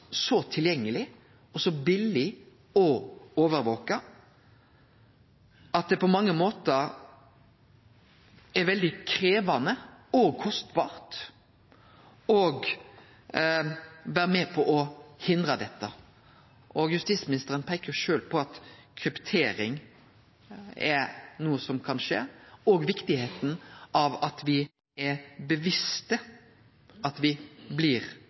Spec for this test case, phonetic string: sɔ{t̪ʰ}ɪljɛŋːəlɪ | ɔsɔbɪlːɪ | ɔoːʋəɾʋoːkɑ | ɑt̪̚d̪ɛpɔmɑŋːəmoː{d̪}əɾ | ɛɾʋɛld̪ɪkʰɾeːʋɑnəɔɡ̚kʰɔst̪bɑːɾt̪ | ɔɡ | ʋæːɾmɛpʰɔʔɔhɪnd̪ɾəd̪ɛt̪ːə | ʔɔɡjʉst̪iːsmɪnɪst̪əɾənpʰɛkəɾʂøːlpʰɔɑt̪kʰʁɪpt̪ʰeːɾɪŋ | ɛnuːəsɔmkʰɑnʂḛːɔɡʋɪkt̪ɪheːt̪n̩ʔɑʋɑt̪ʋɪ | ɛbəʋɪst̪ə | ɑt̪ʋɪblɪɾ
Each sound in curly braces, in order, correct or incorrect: correct, incorrect

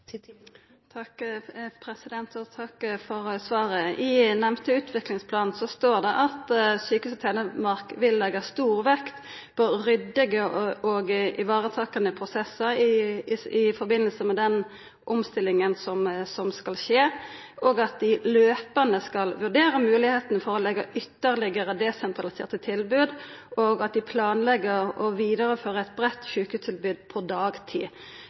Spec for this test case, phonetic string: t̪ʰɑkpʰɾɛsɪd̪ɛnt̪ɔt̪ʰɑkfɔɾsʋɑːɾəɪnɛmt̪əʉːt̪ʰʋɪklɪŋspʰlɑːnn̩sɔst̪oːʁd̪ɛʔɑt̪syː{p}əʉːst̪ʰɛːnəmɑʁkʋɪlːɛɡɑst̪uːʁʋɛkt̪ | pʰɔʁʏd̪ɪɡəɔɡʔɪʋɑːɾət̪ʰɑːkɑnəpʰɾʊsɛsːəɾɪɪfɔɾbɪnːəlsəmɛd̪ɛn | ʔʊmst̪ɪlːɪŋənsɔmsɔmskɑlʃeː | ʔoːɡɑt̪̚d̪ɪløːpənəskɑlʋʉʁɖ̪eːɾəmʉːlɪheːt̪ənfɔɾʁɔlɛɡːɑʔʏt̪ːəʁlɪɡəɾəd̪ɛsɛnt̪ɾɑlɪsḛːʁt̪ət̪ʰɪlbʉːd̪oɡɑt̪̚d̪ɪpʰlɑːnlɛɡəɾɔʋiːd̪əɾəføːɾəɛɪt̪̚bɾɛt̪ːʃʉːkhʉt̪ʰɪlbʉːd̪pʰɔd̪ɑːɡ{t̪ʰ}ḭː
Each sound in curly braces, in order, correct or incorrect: incorrect, correct

